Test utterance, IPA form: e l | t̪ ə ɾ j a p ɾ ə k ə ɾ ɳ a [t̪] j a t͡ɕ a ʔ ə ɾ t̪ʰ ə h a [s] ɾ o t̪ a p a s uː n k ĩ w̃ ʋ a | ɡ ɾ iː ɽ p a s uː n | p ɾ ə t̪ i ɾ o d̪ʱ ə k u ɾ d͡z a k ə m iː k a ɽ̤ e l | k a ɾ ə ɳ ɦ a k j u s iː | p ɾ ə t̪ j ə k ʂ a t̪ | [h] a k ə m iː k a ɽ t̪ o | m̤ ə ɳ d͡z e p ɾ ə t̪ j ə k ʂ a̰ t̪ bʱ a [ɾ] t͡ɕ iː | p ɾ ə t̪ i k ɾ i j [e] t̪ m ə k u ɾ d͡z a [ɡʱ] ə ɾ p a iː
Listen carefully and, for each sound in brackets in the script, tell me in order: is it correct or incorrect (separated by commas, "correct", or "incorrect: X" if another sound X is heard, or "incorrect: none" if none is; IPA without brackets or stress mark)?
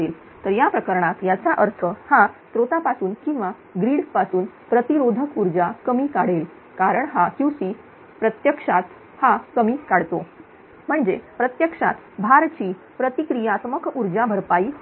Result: correct, correct, correct, correct, incorrect: a, incorrect: bʱ